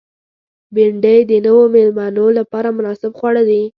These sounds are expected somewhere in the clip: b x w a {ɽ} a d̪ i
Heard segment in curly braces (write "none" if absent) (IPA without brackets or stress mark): ɽ